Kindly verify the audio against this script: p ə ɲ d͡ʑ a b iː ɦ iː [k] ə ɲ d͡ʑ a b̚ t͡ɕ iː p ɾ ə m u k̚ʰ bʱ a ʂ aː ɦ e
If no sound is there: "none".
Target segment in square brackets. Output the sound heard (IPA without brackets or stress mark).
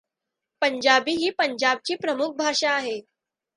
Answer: p